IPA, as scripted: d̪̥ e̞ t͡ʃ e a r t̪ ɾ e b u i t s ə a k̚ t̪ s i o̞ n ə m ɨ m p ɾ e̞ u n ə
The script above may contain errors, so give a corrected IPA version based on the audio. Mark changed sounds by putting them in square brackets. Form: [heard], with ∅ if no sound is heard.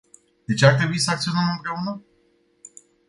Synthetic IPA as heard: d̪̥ e̞ t͡ʃ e a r t̪ ɾ e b u i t s ə a k̚ t̪ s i o̞ n ə m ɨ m p ɾ e̞ u n ə

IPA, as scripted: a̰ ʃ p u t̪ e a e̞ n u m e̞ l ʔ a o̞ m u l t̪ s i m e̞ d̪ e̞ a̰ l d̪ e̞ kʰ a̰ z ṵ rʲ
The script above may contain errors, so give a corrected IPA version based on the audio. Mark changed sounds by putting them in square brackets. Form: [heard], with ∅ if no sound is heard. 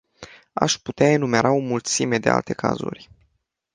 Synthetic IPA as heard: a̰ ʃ p u t̪ e a e̞ n u m e̞ [ɾ] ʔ a o̞ m u l t̪ s i m e̞ d̪ e̞ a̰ l [t̪] e̞ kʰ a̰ z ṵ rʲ

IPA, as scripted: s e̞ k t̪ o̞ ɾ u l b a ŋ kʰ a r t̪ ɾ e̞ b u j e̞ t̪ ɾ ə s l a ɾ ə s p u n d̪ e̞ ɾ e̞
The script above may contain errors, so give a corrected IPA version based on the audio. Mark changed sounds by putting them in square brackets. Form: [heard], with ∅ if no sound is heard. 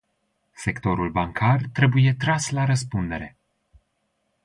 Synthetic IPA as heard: s e̞ k t̪ o̞ ɾ u l b a ŋ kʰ a r t̪ ɾ e̞ b u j e̞ t̪ ɾ [a] s l a ɾ ə s p u n d̪ e̞ ɾ e̞

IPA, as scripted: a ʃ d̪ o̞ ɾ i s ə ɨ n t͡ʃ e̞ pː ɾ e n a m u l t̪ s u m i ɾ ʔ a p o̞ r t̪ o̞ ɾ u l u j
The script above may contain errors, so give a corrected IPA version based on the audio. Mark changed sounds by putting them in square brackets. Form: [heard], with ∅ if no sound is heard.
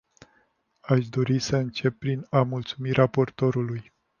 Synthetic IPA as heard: a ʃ d̪ o̞ ɾ i s ə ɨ n t͡ʃ e̞ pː ɾ [i] n a m u l t̪ s u m i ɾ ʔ a p o̞ r t̪ o̞ ɾ u l u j

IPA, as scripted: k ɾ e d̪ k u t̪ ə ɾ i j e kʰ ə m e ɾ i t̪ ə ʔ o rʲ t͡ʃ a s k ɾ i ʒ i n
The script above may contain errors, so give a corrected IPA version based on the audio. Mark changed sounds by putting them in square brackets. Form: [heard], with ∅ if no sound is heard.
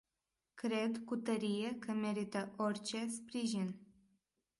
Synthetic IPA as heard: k ɾ e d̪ k u t̪ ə ɾ i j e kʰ ə m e ɾ i t̪ ə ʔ o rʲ t͡ʃ [e] s [p] ɾ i ʒ i n

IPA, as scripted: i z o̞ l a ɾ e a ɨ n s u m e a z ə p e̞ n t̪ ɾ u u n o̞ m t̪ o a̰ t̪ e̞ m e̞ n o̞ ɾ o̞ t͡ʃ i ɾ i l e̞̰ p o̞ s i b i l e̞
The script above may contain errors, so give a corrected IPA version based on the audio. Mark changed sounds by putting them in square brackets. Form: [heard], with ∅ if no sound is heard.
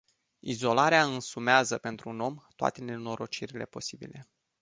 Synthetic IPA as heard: i z o̞ l a ɾ e a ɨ n s u m e a z ə p e̞ n t̪ ɾ u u n o̞ m t̪ o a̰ t̪ e̞ [n] e̞ n o̞ ɾ o̞ t͡ʃ i ɾ i l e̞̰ p o̞ s i b i l e̞

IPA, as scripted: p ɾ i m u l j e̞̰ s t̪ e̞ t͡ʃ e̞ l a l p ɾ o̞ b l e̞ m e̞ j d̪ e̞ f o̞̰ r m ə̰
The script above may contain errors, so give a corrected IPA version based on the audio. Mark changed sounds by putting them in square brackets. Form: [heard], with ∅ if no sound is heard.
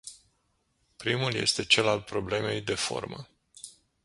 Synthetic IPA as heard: p ɾ i m u l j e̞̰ s t̪ e̞ t͡ʃ e̞ l a l p ɾ o̞ b l e̞ m e̞ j d̪ e̞ f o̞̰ r m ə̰

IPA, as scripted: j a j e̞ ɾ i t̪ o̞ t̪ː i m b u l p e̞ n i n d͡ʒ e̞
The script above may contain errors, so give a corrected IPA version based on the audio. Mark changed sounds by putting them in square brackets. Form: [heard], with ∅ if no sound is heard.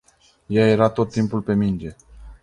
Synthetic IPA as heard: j a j e̞ ɾ [a] t̪ o̞ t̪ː i m [p] u l p e̞ [m] i n d͡ʒ e̞

